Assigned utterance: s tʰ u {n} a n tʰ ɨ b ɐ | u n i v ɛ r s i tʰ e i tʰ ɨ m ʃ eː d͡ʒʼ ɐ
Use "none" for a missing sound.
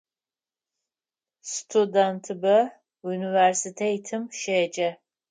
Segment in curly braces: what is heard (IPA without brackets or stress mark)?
d